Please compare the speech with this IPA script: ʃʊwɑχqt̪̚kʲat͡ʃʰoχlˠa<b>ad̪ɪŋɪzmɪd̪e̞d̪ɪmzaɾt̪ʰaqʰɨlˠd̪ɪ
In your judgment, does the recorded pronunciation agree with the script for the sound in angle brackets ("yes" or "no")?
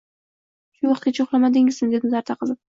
no